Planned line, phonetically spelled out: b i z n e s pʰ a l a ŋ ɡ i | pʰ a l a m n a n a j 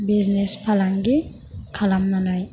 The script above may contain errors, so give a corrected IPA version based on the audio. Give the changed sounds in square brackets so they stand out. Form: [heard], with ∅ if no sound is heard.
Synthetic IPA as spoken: b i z n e s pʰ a l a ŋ ɡ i | [kʰ] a l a m n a n a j